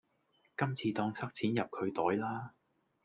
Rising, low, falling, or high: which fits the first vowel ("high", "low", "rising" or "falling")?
high